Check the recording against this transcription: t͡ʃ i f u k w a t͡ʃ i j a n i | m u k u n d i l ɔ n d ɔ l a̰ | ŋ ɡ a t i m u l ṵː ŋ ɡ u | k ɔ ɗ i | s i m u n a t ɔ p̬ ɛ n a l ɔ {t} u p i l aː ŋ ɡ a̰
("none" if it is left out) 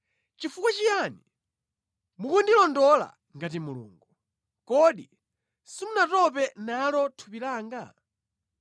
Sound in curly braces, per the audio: tʰ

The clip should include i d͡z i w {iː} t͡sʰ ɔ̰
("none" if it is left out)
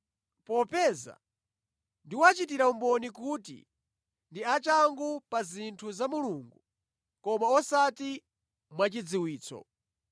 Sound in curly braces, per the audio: iː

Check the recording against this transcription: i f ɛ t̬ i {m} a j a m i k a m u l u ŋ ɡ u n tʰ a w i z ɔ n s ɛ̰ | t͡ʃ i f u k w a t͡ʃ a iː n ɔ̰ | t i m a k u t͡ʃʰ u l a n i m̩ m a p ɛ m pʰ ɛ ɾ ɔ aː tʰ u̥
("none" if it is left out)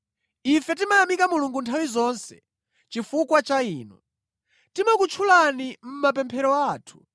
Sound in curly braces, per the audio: m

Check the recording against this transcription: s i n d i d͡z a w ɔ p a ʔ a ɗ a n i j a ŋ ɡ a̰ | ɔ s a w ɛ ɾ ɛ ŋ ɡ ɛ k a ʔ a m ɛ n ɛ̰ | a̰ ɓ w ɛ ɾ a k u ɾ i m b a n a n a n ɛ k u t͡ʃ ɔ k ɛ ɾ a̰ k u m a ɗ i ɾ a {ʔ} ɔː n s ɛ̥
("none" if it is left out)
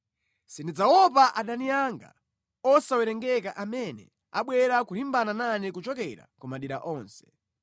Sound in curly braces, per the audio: ʔ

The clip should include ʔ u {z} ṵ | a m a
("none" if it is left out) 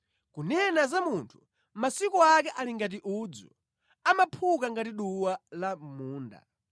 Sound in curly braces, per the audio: d͡z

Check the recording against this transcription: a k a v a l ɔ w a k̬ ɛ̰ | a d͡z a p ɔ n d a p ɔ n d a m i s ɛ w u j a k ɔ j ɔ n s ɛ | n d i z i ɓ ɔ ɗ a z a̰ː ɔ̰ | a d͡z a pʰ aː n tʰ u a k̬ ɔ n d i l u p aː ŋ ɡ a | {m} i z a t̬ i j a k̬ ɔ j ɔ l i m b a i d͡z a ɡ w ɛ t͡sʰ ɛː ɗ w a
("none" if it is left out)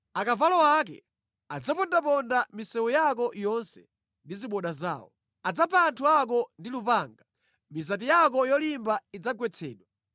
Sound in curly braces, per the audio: m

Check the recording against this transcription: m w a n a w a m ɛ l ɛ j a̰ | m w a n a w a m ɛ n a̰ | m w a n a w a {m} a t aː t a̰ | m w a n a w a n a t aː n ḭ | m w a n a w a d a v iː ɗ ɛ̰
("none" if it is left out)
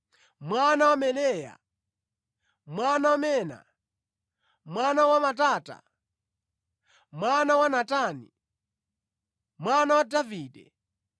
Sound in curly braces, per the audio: m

